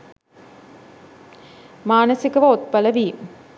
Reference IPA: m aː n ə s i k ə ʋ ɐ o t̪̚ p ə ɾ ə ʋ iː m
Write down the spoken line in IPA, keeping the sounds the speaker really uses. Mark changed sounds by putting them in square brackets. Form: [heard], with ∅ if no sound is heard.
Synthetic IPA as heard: m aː n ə s i k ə ʋ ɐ o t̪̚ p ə [l] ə ʋ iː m